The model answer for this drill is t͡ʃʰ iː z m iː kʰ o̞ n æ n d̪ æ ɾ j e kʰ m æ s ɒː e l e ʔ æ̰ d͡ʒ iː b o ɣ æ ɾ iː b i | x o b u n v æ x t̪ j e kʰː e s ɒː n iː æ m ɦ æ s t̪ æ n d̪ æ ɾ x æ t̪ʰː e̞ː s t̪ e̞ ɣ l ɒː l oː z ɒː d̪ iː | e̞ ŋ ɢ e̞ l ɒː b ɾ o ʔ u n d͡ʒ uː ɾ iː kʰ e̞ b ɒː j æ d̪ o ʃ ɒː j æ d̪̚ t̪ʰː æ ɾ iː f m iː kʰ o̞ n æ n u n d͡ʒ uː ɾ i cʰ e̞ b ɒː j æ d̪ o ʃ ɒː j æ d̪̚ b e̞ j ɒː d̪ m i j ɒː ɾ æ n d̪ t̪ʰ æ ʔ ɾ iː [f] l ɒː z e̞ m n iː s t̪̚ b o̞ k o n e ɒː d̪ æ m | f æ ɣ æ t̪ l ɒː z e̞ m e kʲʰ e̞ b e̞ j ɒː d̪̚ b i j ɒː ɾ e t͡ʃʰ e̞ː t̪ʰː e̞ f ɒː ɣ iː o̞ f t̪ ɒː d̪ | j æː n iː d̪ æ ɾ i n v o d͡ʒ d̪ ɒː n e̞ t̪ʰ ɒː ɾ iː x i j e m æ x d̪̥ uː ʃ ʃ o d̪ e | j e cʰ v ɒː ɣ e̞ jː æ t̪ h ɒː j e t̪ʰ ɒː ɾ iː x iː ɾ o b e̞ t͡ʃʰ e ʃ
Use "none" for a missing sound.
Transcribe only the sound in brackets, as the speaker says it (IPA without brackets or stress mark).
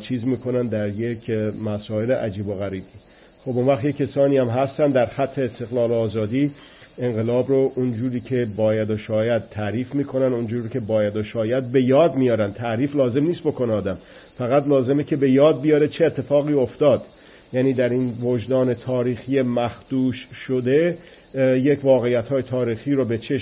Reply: f